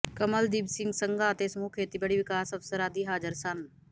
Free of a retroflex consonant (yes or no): no